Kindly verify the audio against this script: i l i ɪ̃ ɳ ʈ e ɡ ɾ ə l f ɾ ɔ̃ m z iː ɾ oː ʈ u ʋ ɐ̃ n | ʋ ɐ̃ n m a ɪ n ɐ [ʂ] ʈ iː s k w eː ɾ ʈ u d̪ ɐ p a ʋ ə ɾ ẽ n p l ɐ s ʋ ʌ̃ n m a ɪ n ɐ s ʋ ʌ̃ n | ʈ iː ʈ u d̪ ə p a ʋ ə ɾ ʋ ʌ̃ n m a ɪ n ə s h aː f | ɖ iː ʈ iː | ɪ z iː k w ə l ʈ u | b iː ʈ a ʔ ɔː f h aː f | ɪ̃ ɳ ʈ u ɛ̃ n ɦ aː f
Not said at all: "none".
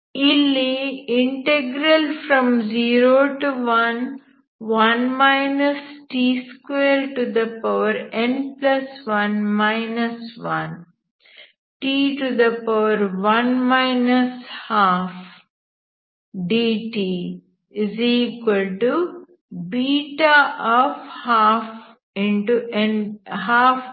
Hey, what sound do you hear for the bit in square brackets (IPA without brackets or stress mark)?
s